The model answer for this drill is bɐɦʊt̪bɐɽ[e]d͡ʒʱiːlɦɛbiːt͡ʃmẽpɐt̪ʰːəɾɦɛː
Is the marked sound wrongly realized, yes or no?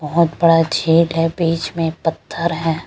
yes